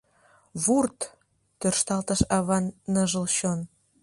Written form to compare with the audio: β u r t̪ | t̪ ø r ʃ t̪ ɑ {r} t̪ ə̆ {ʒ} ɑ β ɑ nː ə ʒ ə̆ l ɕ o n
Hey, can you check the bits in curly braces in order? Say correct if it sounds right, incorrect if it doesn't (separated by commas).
incorrect, incorrect